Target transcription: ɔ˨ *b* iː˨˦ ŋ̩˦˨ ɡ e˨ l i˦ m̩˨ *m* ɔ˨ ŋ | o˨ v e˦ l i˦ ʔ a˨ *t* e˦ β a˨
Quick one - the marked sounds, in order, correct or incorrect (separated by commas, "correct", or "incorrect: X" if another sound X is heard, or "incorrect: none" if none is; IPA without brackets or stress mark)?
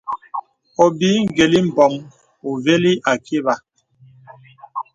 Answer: correct, incorrect: b, incorrect: k